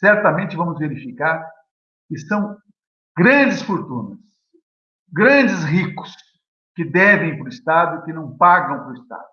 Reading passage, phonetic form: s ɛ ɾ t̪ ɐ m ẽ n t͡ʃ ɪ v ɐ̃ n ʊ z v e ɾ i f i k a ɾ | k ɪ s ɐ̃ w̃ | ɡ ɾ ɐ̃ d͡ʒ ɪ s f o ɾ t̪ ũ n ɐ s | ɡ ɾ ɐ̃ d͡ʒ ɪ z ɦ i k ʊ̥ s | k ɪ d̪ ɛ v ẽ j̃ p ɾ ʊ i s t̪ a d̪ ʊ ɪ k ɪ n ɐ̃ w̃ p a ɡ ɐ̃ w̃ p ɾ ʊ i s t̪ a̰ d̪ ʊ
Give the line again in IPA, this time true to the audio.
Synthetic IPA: s ɛ ɾ t̪ ɐ m ẽ n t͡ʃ ɪ v ɐ̃ m ʊ z v e ɾ i f i k a ɾ | k ɪ s ɐ̃ w̃ | ɡ ɾ ɐ̃ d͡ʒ ɪ s f o ɾ t̪ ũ n ɐ s | ɡ ɾ ɐ̃ d͡ʒ ɪ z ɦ i k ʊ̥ s | k ɪ d̪ ɛ v ẽ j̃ p ɾ ʊ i s t̪ a d̪ ʊ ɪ k ɪ n ɐ̃ w̃ p a ɡ ɐ̃ w̃ p ɾ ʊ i s t̪ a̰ d̪ ʊ